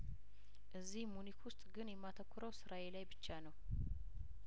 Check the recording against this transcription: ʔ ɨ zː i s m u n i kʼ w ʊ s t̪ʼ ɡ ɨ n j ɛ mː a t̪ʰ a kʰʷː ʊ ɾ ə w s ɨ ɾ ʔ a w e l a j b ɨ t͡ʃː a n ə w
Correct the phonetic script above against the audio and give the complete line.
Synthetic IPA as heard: ʔ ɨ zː i h m u n i k w ʊ s t̪ʼ ɡ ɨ n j ɛ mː a t̪ʰ ə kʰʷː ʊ ɾ ə w s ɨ ɾ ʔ a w e l a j b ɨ t͡ʃː a n ə w